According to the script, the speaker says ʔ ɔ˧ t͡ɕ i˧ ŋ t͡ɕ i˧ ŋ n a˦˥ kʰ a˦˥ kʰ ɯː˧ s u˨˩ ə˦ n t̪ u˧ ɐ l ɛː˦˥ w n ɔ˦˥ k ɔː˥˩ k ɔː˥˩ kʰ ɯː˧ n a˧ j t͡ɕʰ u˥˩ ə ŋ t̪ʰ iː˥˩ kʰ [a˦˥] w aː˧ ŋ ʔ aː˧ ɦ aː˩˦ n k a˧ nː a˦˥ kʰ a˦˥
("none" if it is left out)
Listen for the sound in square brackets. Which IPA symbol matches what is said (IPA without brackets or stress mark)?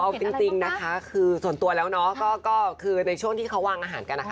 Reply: a˦˥